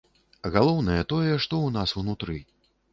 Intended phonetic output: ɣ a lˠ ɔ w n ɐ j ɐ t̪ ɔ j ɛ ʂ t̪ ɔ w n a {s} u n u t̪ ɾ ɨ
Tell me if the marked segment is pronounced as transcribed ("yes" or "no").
yes